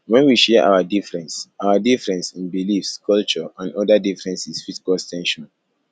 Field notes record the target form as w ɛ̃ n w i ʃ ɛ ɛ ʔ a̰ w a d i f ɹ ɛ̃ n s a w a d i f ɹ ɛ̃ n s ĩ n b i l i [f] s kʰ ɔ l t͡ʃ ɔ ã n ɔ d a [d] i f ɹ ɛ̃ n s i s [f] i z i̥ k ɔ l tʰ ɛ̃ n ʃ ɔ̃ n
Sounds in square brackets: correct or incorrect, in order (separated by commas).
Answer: correct, correct, correct